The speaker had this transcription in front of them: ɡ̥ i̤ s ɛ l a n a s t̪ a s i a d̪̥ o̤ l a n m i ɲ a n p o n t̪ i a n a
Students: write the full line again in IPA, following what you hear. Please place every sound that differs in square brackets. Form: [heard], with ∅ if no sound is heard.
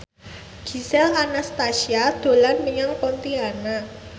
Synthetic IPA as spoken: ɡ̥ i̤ s ɛ l a n a s t̪ a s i a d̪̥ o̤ l a n m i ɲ a [ŋ] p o n t̪ i a n a